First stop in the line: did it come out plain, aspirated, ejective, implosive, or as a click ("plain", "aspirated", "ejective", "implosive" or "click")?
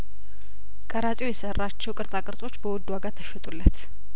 ejective